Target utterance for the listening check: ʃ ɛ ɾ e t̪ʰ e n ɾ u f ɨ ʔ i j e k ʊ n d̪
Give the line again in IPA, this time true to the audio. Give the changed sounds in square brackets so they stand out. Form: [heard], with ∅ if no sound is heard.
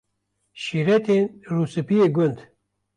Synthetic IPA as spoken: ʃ [i] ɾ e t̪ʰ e n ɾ u [s] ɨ [p] i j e [ɡ] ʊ n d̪